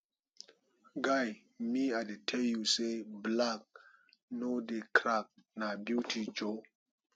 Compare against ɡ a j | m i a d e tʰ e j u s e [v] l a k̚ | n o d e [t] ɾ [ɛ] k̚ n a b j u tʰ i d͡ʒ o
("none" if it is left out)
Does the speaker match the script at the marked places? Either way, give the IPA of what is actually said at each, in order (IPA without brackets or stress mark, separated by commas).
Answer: b, k, a